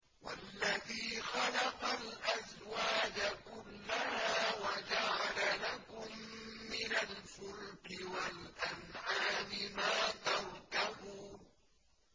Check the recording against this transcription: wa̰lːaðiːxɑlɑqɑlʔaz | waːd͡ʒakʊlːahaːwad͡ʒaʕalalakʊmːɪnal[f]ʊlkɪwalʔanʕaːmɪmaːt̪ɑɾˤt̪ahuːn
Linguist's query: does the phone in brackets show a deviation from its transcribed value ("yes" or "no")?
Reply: no